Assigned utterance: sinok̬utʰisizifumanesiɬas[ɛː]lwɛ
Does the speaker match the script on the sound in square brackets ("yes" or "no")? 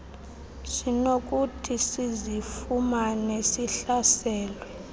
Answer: yes